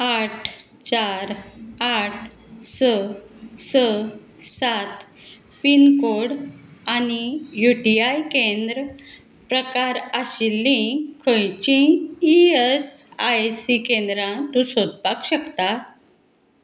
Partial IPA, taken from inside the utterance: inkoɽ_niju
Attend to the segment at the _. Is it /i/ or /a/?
a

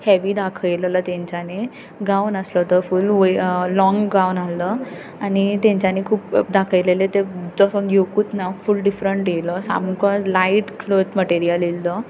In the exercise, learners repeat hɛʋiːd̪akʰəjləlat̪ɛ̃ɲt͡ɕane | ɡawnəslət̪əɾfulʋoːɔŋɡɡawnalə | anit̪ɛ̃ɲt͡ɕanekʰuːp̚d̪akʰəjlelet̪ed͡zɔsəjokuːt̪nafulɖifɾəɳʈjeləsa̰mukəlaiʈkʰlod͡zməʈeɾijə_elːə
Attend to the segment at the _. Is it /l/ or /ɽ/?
l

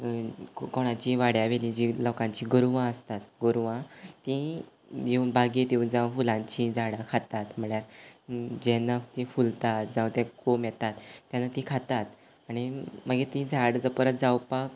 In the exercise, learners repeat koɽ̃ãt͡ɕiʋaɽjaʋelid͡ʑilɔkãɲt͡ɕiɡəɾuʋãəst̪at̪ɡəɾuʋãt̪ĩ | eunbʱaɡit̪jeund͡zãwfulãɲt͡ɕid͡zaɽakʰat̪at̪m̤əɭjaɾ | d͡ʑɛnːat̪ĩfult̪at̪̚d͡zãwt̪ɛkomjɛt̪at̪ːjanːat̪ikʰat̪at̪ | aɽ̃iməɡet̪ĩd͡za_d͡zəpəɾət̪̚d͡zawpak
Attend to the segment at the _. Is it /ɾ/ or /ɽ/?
ɽ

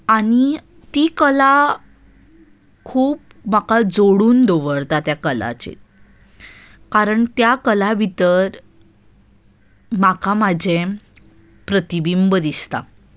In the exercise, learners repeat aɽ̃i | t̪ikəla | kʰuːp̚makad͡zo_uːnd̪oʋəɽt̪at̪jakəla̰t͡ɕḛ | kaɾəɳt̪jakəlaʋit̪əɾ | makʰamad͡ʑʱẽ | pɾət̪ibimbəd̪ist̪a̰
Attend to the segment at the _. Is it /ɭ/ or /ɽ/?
ɽ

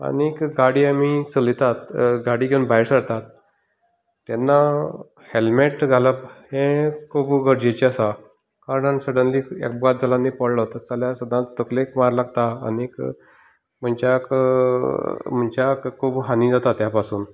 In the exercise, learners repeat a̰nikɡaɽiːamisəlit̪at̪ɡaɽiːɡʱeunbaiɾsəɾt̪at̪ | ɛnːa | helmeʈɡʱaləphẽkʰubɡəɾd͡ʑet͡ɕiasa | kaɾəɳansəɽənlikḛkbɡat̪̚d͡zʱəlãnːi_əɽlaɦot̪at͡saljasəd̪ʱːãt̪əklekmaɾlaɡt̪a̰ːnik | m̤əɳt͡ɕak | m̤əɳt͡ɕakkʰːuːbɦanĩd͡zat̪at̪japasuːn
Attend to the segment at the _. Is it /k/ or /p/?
p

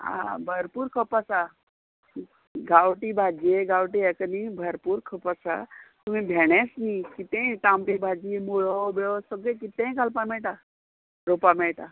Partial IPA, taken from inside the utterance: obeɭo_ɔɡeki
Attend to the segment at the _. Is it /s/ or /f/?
s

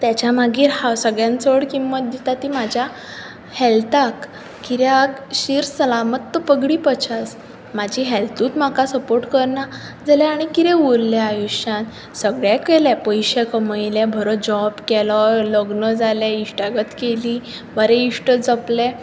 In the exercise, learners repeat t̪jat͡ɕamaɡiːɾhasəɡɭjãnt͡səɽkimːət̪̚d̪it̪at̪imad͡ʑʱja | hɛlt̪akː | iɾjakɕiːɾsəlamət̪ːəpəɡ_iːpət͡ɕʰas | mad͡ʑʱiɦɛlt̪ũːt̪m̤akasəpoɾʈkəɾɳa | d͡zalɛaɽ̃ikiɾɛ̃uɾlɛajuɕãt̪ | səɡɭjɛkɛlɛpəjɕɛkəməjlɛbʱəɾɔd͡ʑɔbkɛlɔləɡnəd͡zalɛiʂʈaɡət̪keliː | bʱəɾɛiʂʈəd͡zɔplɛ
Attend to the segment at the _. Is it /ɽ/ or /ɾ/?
ɽ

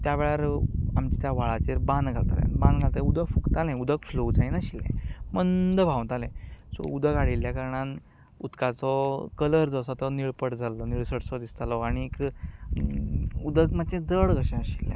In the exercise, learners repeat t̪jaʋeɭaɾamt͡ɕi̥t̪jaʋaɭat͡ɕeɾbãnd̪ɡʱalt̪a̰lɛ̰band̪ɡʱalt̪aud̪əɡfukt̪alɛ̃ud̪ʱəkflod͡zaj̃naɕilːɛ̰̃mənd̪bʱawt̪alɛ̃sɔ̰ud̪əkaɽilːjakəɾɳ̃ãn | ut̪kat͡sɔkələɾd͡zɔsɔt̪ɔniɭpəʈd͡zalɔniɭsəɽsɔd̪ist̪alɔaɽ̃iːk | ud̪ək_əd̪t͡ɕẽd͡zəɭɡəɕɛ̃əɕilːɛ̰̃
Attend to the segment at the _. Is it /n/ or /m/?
m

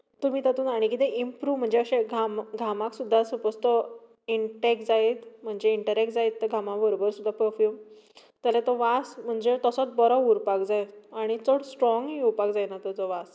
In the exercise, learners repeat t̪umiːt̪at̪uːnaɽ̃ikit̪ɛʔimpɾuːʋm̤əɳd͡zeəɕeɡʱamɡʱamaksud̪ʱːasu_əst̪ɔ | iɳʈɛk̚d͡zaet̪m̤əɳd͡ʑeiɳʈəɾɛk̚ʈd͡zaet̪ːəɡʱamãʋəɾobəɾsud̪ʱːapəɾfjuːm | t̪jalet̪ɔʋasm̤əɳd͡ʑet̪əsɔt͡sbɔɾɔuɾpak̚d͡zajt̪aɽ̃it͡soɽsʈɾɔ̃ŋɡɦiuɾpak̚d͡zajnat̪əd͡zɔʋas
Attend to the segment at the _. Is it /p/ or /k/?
p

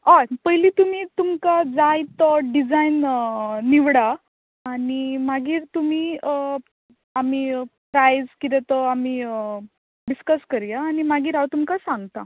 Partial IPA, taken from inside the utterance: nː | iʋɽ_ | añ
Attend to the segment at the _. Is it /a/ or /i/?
a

